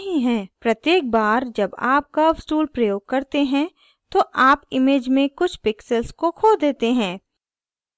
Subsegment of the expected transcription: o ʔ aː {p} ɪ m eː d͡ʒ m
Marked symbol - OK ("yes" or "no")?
yes